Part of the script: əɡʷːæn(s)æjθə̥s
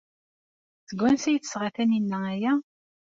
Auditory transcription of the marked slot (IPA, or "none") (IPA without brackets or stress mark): s